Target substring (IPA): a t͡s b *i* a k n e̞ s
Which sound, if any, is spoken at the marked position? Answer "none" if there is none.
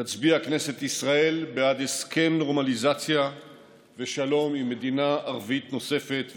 i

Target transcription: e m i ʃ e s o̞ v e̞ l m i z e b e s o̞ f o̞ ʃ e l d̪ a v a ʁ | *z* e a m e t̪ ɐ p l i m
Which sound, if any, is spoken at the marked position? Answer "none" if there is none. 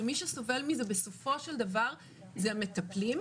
z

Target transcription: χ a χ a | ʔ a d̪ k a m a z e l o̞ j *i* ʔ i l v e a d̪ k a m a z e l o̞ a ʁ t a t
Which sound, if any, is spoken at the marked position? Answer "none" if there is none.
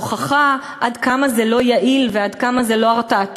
a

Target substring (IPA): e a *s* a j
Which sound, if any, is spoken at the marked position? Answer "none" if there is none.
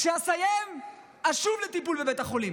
s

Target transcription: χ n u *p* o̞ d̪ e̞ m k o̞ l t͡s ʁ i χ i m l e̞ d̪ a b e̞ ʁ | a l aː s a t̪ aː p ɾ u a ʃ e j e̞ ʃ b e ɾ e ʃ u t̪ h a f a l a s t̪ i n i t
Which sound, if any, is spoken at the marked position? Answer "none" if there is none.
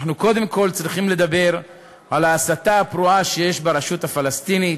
k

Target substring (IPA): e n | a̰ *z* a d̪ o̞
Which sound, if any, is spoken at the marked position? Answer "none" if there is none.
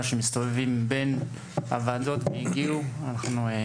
v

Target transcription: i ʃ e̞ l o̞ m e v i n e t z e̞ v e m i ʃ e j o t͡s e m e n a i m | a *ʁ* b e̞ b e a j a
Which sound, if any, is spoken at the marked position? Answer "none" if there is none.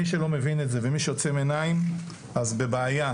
z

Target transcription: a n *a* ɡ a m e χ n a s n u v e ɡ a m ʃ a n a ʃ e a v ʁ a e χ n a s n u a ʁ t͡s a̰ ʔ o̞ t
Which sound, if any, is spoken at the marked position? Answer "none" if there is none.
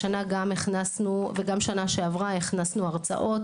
a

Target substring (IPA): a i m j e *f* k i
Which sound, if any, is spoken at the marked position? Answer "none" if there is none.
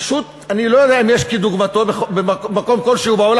ʃ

